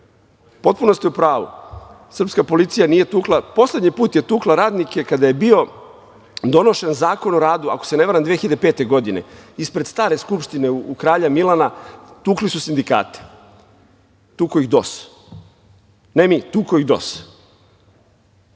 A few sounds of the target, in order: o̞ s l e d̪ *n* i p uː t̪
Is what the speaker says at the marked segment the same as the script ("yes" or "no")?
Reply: no